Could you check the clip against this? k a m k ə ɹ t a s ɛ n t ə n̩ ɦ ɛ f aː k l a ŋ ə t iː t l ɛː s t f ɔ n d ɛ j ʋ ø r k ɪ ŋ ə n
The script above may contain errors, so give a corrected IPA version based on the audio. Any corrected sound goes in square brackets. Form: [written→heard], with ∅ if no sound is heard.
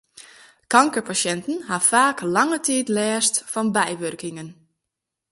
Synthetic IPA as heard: k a [m→ŋ] k ə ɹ [t→p] a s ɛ n t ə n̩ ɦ [ɛ→a] f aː k l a ŋ ə t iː t l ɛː s t f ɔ n [d→b] ɛ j ʋ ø r k ɪ ŋ ə n